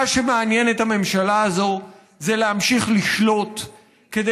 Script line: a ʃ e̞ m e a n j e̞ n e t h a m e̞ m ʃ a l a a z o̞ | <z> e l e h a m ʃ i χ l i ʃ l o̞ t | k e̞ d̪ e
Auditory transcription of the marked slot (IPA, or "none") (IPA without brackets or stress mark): z